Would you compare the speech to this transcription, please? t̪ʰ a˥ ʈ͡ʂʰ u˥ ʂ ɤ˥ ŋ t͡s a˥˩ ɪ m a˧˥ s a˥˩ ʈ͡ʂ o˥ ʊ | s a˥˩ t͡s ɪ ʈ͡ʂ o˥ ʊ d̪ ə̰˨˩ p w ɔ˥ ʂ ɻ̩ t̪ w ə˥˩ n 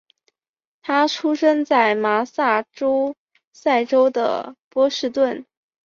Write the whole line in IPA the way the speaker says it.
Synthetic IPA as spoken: t̪ʰ a˥ ʈ͡ʂʰ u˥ ʂ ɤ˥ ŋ t͡s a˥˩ ɪ m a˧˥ s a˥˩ ʈ͡ʂ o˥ ʊ | s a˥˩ ɪ ʈ͡ʂ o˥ ʊ d̪ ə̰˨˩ p w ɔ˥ ʂ ɻ̩ t̪ w ə˥˩ n